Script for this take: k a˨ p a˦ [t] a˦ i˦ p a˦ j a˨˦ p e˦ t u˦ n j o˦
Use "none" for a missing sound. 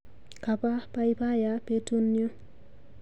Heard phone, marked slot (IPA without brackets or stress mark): p